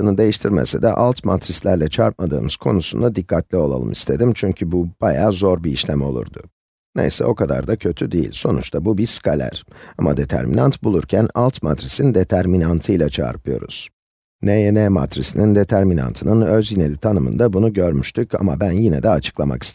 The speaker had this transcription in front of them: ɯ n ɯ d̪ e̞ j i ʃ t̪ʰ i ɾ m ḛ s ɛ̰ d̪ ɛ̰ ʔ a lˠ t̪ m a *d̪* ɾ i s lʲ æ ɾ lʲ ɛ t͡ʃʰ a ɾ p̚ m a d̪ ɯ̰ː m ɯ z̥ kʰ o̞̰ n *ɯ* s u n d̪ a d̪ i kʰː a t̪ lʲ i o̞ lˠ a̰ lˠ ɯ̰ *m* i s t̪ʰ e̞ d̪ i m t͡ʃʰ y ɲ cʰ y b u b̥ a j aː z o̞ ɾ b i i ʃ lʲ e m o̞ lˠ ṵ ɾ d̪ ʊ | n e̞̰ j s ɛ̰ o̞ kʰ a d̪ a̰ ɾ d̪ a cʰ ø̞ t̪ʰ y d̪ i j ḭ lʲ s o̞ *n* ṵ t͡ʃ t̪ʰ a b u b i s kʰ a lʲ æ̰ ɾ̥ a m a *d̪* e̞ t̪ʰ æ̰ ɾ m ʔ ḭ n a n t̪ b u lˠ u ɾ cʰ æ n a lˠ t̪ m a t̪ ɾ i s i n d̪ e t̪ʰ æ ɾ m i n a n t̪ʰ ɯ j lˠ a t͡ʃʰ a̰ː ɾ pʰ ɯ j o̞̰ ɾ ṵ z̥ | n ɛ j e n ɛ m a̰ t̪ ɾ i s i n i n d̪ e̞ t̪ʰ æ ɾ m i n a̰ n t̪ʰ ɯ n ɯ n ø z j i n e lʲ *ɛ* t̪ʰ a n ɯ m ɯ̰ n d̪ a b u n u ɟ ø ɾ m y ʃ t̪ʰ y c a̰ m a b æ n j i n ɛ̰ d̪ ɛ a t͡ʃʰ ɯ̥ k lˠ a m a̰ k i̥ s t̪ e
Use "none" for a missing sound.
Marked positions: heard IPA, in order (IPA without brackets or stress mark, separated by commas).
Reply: t̪, u, m, n, d̪, i